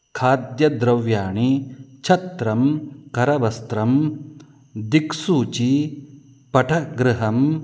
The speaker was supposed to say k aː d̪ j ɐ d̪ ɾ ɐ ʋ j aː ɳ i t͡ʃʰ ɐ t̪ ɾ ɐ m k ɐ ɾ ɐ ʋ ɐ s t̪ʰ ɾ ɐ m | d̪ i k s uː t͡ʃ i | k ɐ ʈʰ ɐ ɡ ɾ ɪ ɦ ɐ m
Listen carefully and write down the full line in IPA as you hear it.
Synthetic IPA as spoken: kʰ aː d̪ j ɐ d̪ ɾ ɐ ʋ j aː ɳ i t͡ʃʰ ɐ t̪ ɾ ɐ m k ɐ ɾ ɐ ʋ ɐ s t̪ ɾ ɐ m | d̪ i k s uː t͡ʃ i | p ɐ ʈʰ ɐ ɡ ɾ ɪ ɦ ɐ m